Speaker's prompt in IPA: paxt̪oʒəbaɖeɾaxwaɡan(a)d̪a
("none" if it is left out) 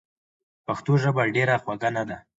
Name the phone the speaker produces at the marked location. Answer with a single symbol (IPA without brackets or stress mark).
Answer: a